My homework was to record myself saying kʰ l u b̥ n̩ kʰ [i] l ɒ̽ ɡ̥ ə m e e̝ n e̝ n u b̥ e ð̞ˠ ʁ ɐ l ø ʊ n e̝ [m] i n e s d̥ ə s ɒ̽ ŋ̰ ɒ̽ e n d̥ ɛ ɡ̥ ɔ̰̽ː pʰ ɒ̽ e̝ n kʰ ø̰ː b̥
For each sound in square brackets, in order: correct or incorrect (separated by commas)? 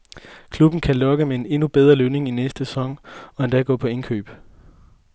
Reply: incorrect, incorrect